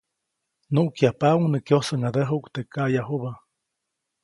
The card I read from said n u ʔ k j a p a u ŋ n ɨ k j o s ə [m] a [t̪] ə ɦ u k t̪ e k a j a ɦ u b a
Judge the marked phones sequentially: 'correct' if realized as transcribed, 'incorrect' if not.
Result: incorrect: ŋ, incorrect: d̪

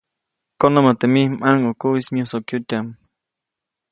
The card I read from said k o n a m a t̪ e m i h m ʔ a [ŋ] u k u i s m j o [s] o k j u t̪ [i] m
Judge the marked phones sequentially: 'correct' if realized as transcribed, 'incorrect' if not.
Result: correct, correct, incorrect: a

